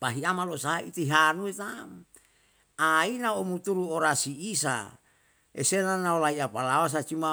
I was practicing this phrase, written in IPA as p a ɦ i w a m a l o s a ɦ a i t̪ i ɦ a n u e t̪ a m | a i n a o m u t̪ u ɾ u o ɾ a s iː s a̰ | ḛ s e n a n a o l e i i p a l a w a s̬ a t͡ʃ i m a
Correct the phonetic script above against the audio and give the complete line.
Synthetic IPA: p a ɦ i a m a l o s a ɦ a i t̪ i ɦ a n u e t̪ a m | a i n a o m u t̪ u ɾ u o ɾ a s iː s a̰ | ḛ s e n a n a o l a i a p a l a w a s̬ a t͡ʃ i m a